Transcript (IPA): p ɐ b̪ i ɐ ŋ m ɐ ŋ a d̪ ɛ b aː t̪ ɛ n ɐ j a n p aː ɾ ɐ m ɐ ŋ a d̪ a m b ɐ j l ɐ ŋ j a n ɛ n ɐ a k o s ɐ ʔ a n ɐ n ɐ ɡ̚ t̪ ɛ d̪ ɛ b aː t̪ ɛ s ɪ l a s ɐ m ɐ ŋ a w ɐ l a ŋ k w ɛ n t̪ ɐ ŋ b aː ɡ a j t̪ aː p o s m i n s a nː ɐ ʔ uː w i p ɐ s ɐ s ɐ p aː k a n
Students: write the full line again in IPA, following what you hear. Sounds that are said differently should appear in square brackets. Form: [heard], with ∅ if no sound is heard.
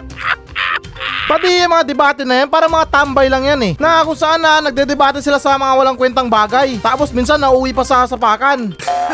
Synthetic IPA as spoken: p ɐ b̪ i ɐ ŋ m ɐ ŋ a d̪ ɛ b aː t̪ ɛ n ɐ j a n p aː ɾ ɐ m ɐ ŋ a [t̪] a m b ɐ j l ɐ ŋ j a n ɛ n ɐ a k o s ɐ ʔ a n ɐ n ɐ ɡ̚ [d̪] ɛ d̪ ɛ b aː t̪ ɛ s ɪ l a s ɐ m ɐ ŋ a w ɐ l a ŋ k w ɛ n t̪ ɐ ŋ b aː ɡ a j t̪ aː p o s m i n s a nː ɐ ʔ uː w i p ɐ s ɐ s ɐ p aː k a n